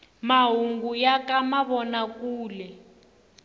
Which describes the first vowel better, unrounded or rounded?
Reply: unrounded